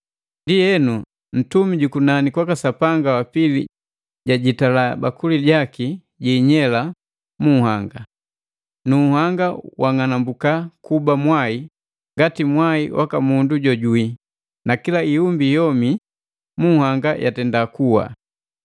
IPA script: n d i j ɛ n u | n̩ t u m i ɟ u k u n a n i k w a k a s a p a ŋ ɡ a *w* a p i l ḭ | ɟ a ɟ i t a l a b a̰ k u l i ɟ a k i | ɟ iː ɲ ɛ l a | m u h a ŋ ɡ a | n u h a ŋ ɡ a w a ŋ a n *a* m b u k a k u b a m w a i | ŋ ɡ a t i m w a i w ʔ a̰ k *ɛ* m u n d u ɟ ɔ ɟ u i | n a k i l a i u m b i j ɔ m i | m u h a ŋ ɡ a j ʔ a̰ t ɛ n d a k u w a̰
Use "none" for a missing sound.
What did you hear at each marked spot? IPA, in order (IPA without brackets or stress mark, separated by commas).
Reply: w, a, a